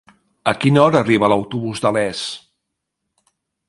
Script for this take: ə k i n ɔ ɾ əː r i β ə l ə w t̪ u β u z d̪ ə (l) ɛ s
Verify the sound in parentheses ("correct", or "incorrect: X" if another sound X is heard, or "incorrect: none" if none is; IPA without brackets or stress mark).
correct